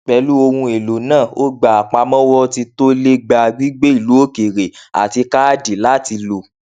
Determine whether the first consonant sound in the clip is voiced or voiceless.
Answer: voiceless